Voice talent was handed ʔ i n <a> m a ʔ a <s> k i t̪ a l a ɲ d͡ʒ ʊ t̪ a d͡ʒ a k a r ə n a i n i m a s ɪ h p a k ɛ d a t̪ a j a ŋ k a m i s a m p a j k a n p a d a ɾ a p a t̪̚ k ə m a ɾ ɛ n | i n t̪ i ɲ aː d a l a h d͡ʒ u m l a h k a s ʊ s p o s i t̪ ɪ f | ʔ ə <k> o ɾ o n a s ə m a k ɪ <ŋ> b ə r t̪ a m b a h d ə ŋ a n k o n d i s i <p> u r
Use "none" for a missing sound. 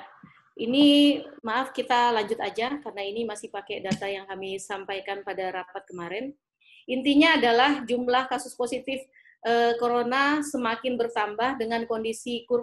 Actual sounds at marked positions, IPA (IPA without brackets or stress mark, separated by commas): i, f, k, n, k